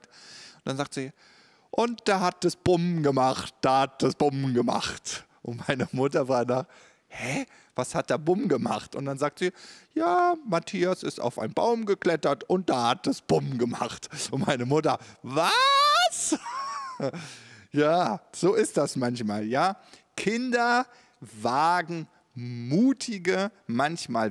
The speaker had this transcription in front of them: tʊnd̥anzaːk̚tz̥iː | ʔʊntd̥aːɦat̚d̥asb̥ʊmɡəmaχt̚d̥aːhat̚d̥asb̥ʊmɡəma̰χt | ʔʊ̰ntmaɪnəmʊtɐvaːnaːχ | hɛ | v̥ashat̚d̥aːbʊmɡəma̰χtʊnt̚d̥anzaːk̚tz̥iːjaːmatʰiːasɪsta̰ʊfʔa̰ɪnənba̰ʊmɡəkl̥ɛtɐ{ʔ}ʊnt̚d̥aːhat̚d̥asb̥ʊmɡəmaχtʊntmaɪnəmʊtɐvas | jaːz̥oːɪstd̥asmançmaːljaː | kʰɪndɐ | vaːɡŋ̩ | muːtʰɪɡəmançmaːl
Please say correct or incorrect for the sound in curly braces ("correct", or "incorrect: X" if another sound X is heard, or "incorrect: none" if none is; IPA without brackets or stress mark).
incorrect: t